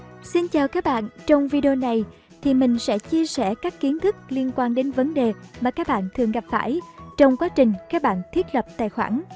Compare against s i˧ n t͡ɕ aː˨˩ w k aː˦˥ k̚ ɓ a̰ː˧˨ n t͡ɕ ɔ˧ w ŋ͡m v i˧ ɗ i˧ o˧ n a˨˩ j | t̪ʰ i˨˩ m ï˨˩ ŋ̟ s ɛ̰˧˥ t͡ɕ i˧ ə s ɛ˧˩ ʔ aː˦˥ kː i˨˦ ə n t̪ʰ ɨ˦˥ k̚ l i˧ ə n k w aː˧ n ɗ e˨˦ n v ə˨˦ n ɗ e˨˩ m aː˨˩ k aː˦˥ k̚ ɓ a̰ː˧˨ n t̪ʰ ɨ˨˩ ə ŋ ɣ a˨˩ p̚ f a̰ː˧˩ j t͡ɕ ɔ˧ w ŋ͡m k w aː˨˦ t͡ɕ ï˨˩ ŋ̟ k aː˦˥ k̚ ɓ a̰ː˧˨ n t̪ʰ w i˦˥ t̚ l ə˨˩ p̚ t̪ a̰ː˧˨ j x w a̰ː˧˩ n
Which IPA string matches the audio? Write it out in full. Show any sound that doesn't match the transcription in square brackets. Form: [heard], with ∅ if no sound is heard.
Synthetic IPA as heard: s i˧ n t͡ɕ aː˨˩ w k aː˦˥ k̚ ɓ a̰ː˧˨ n t͡ɕ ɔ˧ w ŋ͡m v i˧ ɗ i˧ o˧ n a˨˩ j | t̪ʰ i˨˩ m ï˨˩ ŋ̟ s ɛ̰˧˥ t͡ɕ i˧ ə s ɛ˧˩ [k] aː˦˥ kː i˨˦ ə n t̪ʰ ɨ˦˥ k̚ l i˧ ə n k w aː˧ n ɗ e˨˦ n v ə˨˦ n ɗ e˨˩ m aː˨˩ k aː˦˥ k̚ ɓ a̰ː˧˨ n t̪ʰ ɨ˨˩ ə ŋ ɣ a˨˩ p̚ f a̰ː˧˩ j t͡ɕ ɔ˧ w ŋ͡m k w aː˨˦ t͡ɕ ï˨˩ ŋ̟ k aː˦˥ k̚ ɓ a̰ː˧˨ n t̪ʰ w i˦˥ t̚ l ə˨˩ p̚ t̪ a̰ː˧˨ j x w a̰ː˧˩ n